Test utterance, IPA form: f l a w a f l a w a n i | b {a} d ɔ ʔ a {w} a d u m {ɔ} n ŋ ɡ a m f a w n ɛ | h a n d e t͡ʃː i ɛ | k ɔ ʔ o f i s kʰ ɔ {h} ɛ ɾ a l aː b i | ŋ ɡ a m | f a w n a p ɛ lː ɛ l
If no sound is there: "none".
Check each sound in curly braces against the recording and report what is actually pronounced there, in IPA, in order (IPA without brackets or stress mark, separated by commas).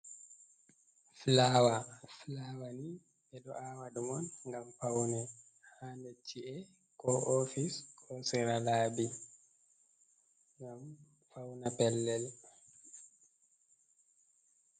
ɛ, w, ɔ, s